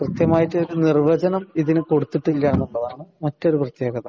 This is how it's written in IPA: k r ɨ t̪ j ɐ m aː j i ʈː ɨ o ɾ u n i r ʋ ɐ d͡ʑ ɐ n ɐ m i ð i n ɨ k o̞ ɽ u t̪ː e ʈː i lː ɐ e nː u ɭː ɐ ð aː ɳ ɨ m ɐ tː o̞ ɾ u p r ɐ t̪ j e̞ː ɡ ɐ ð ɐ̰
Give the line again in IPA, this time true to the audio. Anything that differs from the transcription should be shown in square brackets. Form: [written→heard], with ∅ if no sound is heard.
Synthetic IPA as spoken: k r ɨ t̪ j ɐ m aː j i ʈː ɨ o ɾ u n i r ʋ ɐ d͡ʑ ɐ n ɐ m i ð i n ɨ k o̞ ɽ u t̪ː [e→i] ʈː i lː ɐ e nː u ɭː ɐ ð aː ɳ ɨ m ɐ tː o̞ ɾ u p r ɐ t̪ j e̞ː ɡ ɐ ð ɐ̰